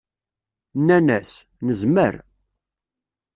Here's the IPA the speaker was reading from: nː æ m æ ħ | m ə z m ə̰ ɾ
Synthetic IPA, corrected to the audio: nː æ n æ s | n ə z m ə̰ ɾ